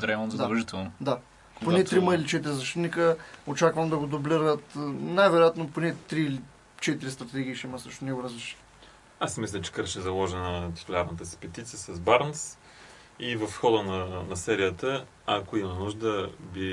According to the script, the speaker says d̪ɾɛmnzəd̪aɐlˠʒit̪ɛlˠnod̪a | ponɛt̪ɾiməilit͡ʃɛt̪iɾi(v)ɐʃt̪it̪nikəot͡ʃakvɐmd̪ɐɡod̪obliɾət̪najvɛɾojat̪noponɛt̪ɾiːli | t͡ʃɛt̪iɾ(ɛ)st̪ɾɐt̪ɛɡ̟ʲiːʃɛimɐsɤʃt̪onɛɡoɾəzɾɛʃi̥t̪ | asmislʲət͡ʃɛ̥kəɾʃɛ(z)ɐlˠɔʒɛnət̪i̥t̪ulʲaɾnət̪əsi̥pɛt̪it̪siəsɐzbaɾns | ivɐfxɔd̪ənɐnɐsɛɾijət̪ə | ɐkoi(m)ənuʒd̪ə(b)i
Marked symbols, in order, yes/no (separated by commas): no, no, yes, yes, yes